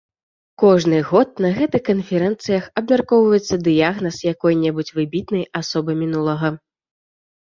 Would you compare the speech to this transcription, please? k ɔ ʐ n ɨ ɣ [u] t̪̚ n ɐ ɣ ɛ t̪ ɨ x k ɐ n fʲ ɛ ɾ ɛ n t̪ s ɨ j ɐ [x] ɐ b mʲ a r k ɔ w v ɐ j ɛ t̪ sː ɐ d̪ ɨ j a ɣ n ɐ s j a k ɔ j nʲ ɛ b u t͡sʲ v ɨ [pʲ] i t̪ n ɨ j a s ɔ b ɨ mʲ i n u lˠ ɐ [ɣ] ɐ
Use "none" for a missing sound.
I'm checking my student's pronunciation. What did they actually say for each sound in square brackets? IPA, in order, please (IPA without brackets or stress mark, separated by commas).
ɔ, x, bʲ, ɣ